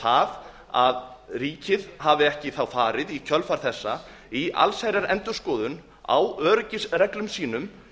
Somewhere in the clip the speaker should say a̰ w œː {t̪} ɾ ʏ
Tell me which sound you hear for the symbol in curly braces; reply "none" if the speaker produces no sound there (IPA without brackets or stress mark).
none